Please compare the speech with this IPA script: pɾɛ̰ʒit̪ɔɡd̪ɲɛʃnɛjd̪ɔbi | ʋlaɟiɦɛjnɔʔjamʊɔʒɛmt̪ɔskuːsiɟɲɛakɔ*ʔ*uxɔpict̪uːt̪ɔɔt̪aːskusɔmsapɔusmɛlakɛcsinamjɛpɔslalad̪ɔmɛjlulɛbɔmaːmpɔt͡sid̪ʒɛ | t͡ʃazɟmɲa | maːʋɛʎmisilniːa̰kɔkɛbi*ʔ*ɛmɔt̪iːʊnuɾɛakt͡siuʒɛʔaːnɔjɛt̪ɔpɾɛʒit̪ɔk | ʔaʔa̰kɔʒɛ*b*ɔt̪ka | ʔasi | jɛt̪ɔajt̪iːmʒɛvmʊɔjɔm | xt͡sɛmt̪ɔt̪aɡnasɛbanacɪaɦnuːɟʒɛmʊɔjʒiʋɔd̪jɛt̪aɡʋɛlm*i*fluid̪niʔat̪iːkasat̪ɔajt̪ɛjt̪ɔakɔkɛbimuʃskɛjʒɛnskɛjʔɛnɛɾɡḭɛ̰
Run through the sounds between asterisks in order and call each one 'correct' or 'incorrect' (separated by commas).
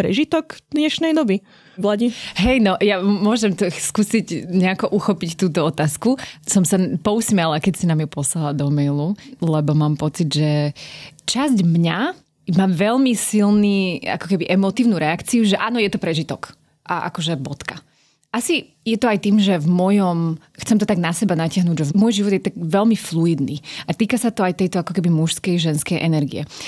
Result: correct, correct, correct, correct